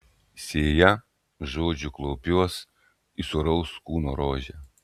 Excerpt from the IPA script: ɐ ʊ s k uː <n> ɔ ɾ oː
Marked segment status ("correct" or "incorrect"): correct